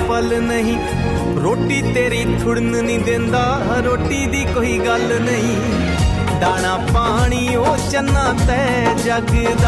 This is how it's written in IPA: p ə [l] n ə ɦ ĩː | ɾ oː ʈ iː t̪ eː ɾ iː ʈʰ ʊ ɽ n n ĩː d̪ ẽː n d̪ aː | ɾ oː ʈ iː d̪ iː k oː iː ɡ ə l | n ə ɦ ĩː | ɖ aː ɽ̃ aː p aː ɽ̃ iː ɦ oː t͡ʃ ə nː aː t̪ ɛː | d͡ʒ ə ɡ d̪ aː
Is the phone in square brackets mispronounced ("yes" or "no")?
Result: no